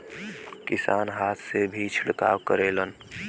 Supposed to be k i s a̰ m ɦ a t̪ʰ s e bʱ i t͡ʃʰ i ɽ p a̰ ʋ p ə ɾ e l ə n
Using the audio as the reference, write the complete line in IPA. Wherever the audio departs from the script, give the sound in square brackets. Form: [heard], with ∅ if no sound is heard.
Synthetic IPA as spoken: k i s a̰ [n] ɦ a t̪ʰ s e bʱ i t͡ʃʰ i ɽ [k] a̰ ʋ [k] ə ɾ e l ə n